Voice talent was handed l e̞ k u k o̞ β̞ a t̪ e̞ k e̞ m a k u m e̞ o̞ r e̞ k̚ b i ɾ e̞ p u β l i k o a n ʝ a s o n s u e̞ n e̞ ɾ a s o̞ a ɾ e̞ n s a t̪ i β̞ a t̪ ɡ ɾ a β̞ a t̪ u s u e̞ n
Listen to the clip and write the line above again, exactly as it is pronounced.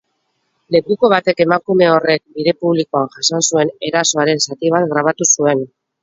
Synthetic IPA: l e̞ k u k o̞ β̞ a t̪ e̞ k e̞ m a k u m e̞ o̞ r e̞ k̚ b i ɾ e̞ p u β l i k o a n ʝ a s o n s u e̞ n e̞ ɾ a s o̞ a ɾ e̞ n s a t̪ i β̞ a t̪ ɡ ɾ a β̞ a t̪ u s u e̞ n